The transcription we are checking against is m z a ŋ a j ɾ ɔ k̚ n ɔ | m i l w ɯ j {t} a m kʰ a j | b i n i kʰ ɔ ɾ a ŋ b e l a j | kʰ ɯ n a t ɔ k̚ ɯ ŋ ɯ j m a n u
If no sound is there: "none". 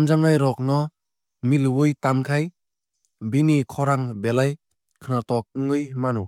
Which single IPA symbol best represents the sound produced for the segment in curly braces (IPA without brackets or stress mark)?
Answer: t